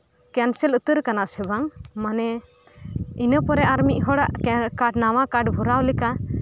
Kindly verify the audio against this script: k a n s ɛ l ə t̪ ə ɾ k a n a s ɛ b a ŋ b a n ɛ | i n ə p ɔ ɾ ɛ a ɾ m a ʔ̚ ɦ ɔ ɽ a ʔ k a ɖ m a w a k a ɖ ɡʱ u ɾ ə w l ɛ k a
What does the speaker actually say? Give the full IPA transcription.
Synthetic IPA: k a n s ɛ l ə t̪ ə ɾ k a n a s ɛ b a ŋ m a n ɛ | i n ə p ɔ ɾ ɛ a ɾ m i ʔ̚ ɦ ɔ ɽ a ʔ k a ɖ n a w a k a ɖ bʱ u ɾ a w l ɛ k a